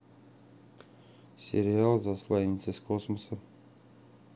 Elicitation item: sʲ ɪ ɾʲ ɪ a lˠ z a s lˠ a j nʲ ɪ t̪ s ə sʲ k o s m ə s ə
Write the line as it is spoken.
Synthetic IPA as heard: sʲ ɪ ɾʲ ɪ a lˠ z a s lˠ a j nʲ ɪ t̪ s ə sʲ k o s m ə s ə